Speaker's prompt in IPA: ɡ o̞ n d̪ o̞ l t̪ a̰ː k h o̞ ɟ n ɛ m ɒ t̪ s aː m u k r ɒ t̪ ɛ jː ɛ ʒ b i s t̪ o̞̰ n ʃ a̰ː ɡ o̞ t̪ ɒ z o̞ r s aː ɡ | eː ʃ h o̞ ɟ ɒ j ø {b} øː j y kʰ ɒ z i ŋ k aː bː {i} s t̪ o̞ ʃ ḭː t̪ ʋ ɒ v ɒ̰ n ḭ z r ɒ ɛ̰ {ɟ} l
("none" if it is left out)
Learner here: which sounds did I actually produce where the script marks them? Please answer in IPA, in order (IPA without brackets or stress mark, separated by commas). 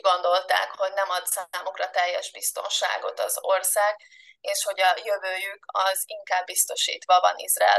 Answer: v, i, none